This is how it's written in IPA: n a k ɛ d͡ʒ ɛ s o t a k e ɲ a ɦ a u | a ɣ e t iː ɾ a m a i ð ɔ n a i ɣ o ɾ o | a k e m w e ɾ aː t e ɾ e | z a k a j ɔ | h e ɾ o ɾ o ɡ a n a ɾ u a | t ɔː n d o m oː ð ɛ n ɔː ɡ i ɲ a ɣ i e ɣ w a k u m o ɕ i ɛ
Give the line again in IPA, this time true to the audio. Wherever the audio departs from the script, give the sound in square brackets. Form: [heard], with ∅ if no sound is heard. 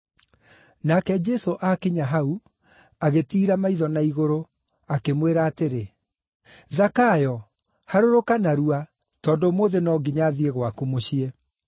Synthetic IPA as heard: n a k ɛ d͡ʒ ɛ s o [ʔ] a k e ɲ a ɦ a u | a ɣ e t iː ɾ a m a i ð ɔ n a i ɣ o ɾ o | a k e m w e ɾ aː t e ɾ e | z a k a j ɔ | h [a] ɾ o ɾ o [k] a n a ɾ u a | t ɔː n d o m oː ð [e] n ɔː ɡ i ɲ a [ð] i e ɣ w a k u m o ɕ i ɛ